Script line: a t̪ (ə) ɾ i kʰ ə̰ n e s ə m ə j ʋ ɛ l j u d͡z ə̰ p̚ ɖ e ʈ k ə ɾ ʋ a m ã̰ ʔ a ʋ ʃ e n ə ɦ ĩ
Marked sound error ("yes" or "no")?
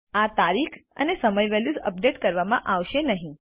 yes